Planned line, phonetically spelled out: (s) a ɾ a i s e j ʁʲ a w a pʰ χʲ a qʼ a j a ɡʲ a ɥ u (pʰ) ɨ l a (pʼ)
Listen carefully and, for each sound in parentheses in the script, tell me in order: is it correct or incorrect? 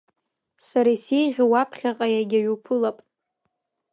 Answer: correct, correct, correct

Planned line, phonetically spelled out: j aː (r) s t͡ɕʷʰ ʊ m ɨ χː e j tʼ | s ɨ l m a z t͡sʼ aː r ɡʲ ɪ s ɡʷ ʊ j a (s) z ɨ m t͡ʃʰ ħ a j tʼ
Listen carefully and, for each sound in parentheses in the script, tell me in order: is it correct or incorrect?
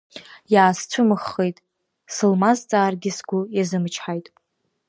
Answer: incorrect: none, incorrect: none

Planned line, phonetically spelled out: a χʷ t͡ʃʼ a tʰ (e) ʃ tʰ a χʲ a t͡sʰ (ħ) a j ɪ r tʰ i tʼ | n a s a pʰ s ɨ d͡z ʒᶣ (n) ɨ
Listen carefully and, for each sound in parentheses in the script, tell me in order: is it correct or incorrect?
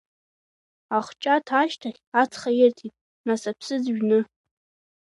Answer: incorrect: a, incorrect: χ, correct

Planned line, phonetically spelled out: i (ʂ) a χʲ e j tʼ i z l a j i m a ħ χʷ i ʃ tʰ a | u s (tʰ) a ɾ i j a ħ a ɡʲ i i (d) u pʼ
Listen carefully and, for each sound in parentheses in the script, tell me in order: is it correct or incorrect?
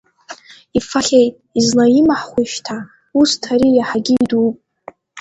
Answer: incorrect: f, correct, correct

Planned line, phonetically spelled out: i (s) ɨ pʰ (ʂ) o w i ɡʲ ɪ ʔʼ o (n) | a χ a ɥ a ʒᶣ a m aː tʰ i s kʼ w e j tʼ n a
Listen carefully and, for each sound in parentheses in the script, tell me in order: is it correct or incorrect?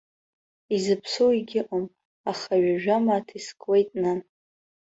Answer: incorrect: z, incorrect: s, incorrect: m

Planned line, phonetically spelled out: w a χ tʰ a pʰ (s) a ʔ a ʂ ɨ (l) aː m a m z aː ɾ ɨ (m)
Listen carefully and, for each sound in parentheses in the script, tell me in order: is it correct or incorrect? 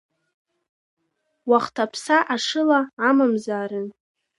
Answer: correct, correct, incorrect: n

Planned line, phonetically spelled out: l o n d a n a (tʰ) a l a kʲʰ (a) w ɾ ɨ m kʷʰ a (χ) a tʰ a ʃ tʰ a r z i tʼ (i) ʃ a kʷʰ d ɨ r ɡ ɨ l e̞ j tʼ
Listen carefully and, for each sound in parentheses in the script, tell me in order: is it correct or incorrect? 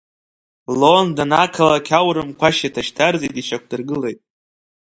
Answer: incorrect: kʰ, correct, incorrect: ʃ, correct

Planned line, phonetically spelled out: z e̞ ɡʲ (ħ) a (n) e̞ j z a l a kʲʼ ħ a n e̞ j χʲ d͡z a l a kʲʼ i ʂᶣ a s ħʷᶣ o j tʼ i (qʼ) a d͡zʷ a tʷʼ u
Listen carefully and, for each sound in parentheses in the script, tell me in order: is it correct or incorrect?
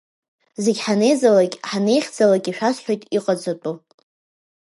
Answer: correct, correct, correct

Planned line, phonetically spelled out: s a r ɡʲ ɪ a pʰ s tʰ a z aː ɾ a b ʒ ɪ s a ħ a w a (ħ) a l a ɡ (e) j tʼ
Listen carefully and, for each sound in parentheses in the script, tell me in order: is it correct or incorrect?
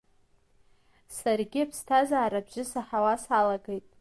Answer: incorrect: s, correct

